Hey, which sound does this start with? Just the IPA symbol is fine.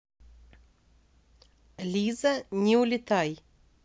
lʲ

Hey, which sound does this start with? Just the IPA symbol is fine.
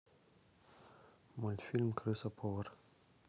m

